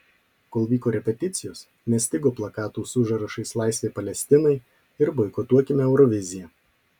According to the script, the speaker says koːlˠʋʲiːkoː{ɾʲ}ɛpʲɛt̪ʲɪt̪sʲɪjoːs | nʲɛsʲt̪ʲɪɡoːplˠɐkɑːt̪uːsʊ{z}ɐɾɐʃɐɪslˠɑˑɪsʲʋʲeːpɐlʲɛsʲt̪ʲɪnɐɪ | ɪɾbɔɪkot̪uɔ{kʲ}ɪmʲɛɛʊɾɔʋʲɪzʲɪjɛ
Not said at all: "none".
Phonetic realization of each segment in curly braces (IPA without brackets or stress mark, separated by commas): ɾʲ, ʒ, kʲ